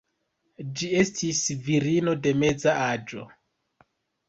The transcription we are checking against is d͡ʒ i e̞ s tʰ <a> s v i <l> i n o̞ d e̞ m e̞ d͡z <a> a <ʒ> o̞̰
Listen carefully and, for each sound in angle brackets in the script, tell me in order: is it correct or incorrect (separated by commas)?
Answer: incorrect, incorrect, correct, incorrect